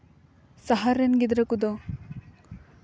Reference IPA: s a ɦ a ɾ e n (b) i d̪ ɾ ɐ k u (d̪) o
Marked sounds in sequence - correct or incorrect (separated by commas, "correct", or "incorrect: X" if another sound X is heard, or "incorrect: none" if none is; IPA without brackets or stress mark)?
incorrect: ɡ, correct